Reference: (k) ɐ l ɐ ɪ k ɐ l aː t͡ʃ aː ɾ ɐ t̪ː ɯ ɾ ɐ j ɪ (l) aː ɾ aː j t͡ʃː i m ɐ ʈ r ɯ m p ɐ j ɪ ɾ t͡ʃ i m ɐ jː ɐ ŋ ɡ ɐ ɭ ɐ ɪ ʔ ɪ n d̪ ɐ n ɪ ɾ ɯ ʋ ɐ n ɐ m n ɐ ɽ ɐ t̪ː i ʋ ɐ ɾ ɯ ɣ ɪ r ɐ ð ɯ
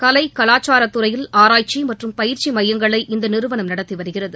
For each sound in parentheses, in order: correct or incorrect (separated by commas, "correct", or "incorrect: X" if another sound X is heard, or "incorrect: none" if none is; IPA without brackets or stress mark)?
correct, correct